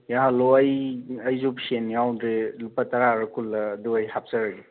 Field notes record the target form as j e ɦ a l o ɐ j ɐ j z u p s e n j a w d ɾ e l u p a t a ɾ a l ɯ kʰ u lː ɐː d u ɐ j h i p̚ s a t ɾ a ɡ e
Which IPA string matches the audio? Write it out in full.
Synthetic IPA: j a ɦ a l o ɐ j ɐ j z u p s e n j a w d ɾ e l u p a t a ɾ a ɾ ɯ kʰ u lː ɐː d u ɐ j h a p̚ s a ɾ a ɡ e